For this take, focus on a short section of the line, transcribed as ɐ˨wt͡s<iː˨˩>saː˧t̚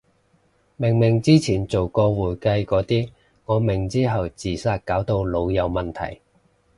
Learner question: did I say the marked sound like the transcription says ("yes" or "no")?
yes